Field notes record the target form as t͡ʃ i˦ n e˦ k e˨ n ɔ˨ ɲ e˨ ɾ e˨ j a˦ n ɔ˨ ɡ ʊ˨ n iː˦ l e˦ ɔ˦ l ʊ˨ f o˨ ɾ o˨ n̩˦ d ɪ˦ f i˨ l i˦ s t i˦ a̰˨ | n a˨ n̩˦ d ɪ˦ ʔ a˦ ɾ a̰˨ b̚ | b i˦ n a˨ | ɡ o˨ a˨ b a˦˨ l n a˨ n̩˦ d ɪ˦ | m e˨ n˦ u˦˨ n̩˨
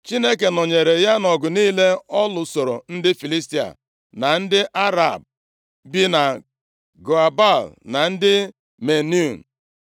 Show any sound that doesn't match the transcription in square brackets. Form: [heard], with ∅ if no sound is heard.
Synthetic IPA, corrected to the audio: t͡ʃ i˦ n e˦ k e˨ n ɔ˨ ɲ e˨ ɾ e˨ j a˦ n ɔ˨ ɡ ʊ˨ n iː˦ l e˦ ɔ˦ l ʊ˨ [s] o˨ ɾ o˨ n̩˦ d ɪ˦ f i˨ l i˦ s t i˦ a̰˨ | n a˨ n̩˦ d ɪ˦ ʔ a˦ ɾ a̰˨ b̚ | b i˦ n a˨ | ɡ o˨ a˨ b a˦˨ l n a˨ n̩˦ d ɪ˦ | m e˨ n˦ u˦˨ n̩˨